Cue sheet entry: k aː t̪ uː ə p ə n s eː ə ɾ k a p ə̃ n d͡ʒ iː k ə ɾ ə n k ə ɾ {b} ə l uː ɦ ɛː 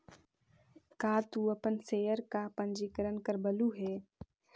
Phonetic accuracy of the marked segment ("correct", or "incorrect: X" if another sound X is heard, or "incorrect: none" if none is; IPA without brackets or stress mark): correct